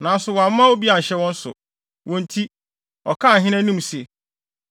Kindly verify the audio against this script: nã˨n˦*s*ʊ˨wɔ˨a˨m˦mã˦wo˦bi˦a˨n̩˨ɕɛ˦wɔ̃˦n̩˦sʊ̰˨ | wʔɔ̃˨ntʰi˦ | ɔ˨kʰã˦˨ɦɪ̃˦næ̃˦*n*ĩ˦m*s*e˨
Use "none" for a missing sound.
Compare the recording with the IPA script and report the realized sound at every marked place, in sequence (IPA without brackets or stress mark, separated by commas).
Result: s, n, s